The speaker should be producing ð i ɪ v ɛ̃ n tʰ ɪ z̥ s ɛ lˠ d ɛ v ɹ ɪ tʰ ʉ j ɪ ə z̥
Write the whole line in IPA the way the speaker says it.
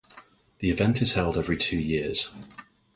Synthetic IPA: ð i ɪ v ɛ̃ n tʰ ɪ z̥ h ɛ lˠ d ɛ v ɹ i tʰ ʉː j ɪ ə z̥